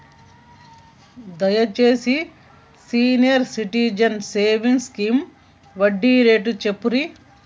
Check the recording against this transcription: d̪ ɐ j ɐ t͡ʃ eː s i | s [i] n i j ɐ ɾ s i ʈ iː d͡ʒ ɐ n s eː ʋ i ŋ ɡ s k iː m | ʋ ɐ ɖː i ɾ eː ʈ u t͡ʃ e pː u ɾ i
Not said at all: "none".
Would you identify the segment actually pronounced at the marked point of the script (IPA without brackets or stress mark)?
iː